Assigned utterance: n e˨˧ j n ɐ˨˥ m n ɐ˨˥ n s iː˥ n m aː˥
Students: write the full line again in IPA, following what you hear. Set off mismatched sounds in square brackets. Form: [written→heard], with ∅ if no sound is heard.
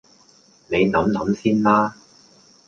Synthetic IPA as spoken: n e˨˧ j n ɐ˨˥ m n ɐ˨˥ [n→m] s iː˥ n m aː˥